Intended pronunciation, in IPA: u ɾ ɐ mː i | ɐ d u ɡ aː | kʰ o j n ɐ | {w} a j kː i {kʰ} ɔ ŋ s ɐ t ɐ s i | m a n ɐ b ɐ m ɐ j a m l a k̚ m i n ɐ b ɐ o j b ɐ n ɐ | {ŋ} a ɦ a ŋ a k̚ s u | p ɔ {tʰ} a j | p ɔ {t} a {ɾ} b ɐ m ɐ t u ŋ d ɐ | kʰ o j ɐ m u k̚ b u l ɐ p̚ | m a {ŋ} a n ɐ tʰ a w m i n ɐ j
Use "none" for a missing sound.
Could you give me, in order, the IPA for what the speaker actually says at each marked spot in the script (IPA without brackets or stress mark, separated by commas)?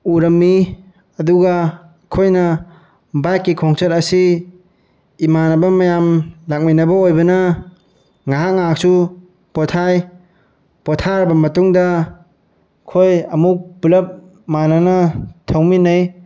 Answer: b, kʰ, ŋ, tʰ, tʰ, ɾ, n